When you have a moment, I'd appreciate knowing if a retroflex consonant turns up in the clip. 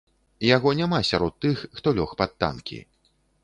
no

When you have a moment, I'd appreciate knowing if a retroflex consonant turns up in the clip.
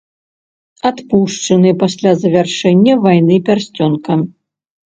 yes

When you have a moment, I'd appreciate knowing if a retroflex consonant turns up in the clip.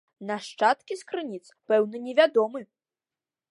yes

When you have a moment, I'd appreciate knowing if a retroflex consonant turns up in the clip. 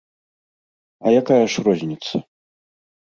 yes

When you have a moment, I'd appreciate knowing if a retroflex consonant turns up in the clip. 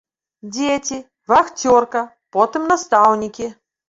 no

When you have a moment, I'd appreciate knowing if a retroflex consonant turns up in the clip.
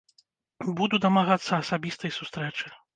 yes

